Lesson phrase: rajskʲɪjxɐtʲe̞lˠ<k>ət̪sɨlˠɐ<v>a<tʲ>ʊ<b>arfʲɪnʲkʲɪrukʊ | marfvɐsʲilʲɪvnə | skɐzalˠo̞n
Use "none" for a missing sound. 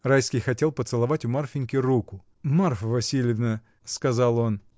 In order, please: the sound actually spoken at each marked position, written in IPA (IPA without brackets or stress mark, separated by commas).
p, v, tʲ, m